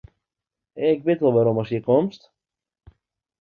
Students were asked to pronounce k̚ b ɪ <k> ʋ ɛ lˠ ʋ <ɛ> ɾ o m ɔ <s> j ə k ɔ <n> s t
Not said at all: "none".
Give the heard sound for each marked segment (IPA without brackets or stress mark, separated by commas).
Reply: t, a, s, m